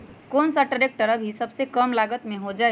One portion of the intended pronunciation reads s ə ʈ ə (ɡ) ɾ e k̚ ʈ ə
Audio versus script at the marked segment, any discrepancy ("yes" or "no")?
yes